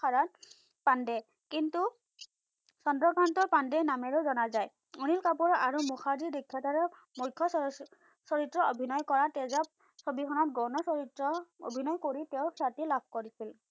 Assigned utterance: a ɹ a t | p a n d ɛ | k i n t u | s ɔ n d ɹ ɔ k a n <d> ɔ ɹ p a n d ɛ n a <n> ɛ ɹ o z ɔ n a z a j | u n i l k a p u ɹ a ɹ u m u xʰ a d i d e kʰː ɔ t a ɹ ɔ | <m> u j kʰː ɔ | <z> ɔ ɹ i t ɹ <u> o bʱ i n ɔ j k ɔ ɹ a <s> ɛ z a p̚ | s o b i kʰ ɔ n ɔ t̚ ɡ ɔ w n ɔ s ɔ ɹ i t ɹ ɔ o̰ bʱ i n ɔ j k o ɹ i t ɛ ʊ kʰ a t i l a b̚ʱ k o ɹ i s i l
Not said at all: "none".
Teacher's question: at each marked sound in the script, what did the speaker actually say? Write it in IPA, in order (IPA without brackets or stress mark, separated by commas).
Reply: t, m, m, s, ɔ, t